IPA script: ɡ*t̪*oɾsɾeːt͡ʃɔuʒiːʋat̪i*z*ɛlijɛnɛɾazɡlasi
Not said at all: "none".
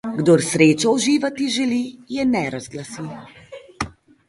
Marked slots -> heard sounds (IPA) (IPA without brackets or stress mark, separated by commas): d̪, ʒ